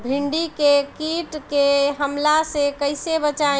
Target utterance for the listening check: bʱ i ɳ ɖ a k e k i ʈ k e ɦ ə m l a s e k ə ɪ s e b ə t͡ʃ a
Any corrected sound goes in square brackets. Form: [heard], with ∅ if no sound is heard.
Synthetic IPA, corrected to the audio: bʱ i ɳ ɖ [i] k e k i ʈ k e ɦ ə m l a s e k ə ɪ s e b ə t͡ʃ a